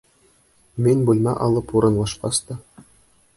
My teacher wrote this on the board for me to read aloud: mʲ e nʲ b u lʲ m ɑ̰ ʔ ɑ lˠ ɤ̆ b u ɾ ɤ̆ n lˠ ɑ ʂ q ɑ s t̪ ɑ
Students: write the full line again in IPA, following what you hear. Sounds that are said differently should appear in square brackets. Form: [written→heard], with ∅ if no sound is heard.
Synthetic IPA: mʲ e nʲ b u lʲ m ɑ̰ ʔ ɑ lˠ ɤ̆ [b→p] u ɾ ɤ̆ n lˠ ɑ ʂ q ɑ s t̪ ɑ